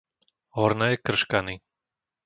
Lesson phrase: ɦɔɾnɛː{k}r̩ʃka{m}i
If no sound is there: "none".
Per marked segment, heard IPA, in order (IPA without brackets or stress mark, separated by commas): k, n